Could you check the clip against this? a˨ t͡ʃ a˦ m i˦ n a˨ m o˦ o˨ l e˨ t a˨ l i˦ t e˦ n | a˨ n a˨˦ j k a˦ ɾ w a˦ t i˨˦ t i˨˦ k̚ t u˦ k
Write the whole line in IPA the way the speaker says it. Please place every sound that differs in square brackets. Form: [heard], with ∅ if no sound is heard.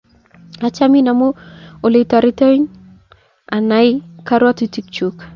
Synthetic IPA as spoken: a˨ t͡ʃ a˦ m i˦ n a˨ m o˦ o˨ l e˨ t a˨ [ɾ] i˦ t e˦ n | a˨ n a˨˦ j k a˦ ɾ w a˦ t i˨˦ t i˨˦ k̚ [t͡ʃ] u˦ k

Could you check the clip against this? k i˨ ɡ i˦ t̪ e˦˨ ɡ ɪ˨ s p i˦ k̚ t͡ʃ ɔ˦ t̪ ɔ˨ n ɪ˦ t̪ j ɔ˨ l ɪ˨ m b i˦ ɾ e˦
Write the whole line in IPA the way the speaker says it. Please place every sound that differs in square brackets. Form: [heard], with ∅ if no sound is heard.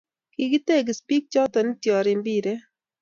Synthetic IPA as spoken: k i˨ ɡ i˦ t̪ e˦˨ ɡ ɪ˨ s p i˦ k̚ t͡ʃ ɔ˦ t̪ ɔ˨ n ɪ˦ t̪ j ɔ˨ [ɾ] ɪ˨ m b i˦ ɾ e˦

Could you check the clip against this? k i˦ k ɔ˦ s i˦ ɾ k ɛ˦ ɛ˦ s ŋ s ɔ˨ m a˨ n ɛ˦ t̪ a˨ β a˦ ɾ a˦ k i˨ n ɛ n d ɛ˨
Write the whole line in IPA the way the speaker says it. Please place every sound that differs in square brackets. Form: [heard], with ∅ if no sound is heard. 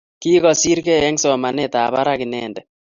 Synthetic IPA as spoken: k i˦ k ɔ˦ s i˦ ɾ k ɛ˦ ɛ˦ [∅] ŋ s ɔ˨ m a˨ n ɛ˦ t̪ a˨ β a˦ ɾ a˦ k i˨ n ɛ n d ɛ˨

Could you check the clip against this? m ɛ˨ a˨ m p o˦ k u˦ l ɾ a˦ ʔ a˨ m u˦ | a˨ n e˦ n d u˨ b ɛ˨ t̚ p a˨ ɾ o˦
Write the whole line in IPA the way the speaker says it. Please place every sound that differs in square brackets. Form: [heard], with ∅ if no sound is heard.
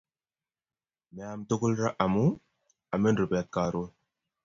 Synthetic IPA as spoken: m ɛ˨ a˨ m [t] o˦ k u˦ l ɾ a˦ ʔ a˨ m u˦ | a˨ [m] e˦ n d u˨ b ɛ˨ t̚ [k] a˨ ɾ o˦

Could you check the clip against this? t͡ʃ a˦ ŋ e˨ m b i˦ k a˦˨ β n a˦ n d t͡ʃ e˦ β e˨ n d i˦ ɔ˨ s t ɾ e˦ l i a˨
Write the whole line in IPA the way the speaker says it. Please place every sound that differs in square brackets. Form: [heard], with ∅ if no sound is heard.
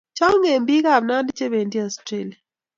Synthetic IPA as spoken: t͡ʃ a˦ ŋ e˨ m b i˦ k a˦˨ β n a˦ n d t͡ʃ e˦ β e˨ n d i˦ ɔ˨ s t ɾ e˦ l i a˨

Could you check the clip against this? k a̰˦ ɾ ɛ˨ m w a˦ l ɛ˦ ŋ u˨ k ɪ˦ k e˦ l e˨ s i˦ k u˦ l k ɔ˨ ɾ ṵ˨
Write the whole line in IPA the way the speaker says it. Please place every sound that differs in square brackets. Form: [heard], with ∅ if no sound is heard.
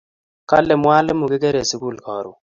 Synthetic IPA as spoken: k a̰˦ [l] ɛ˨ m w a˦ l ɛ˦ [m] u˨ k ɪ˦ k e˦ [ɾ] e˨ s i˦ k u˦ l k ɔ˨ ɾ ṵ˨

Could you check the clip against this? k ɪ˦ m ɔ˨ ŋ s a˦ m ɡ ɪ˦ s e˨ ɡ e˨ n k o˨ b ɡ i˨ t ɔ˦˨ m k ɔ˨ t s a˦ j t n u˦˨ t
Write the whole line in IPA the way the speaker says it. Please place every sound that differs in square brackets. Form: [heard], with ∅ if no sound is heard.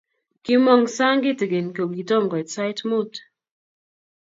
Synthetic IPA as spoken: k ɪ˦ m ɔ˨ ŋ s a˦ [ŋ] ɡ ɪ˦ [t] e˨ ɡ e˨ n k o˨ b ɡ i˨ t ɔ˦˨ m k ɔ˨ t s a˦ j t [m] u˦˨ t

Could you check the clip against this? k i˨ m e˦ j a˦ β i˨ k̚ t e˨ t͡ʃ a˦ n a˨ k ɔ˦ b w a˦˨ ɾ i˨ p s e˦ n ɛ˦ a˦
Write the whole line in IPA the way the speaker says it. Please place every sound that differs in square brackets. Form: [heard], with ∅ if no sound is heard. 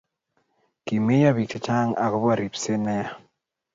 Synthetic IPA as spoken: k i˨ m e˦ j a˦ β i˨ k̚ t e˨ t͡ʃ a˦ [ŋ] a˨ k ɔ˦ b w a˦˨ ɾ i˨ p s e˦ n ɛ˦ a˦

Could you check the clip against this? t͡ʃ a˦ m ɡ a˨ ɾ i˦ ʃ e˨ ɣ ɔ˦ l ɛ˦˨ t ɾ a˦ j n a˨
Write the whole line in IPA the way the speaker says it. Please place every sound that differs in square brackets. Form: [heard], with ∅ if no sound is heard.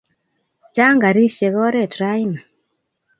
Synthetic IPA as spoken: t͡ʃ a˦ [ŋ] ɡ a˨ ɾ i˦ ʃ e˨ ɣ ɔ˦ [ɾ] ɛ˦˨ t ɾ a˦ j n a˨

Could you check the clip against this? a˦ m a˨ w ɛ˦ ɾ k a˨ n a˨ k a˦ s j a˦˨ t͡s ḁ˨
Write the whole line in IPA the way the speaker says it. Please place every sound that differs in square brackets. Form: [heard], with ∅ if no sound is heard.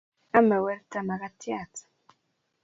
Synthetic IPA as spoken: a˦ m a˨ w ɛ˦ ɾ [t] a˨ [m] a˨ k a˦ [t] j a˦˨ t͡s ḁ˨

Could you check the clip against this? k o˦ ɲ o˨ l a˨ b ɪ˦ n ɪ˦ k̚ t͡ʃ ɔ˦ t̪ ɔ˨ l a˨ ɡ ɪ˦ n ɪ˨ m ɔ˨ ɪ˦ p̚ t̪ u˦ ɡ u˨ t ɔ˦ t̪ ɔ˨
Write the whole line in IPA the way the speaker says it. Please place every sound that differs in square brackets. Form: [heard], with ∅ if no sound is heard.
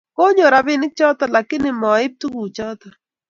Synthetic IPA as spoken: k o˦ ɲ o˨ [ɾ] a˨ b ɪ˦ n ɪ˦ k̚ t͡ʃ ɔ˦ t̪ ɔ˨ l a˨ [k] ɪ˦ n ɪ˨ m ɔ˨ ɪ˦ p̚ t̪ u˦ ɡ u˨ [t͡ʃ] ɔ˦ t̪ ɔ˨

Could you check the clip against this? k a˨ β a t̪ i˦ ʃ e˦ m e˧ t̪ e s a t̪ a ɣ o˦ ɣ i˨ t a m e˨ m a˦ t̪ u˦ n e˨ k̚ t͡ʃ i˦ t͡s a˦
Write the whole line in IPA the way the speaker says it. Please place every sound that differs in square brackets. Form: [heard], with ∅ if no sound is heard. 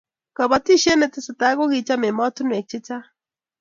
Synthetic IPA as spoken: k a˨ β a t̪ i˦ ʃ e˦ [n] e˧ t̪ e s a t̪ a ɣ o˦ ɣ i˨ [t͡ʃ] a m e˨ m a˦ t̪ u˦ n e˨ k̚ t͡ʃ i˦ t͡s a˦

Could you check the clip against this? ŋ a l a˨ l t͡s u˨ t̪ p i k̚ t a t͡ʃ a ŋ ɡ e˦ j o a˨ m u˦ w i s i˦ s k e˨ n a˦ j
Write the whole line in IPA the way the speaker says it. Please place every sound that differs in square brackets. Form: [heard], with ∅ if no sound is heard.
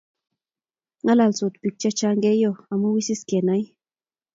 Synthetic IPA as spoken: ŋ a l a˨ l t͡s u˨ t̪ p i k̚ [t͡ʃ] a t͡ʃ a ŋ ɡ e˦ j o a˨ m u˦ w i s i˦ s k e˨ n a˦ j

